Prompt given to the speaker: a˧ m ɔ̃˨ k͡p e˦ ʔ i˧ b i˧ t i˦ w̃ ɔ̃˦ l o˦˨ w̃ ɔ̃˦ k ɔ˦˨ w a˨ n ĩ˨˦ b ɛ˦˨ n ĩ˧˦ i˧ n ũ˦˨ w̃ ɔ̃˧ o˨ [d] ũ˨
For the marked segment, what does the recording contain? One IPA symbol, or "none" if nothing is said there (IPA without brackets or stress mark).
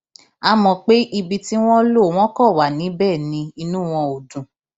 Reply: d